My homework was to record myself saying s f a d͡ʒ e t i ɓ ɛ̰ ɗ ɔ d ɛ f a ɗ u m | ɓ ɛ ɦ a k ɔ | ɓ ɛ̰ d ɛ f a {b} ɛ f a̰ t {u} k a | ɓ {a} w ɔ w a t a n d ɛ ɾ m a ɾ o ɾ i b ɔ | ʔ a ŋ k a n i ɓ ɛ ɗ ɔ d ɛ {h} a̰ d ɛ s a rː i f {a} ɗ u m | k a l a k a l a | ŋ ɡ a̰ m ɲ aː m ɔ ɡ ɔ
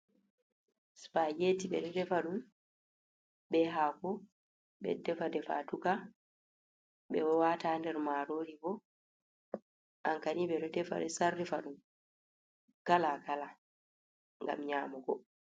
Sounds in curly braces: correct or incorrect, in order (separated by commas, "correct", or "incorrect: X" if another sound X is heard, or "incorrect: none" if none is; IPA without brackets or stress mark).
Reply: incorrect: d, correct, incorrect: ɛ, incorrect: f, correct